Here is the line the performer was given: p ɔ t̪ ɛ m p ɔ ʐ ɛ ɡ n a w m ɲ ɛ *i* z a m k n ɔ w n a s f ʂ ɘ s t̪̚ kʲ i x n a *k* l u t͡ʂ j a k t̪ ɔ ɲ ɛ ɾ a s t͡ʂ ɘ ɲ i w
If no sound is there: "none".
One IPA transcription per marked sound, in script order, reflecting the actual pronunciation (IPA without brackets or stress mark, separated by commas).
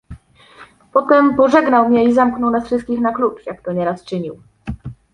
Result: i, k